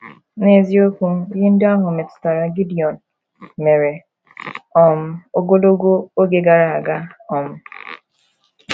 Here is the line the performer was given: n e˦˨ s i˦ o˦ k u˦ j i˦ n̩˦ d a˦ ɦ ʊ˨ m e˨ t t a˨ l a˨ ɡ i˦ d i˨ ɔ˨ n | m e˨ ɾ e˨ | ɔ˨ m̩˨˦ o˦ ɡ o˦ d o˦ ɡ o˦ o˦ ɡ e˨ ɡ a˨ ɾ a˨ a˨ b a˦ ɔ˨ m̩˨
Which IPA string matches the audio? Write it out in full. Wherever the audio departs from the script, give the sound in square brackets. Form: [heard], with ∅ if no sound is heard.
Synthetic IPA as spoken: n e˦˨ [z] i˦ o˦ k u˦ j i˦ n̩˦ d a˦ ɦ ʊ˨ m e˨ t t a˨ [ɾ] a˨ ɡ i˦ d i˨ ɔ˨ n | m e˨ ɾ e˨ | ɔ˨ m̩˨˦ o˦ ɡ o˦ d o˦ ɡ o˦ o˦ ɡ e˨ ɡ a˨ ɾ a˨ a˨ [ɡ] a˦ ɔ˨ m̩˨